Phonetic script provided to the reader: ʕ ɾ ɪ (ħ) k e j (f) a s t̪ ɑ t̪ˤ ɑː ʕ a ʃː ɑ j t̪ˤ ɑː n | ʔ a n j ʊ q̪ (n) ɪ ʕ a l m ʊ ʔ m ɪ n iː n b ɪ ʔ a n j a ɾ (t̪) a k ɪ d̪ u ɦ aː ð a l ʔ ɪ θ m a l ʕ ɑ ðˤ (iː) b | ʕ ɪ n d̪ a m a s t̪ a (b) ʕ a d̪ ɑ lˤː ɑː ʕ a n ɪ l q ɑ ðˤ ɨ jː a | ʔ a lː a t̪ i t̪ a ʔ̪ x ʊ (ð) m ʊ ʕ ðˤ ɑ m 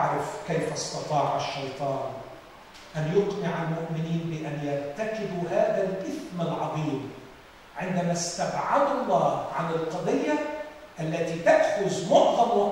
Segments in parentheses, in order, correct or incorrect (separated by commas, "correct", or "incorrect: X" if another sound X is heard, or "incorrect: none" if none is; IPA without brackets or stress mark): incorrect: f, correct, correct, correct, correct, correct, incorrect: z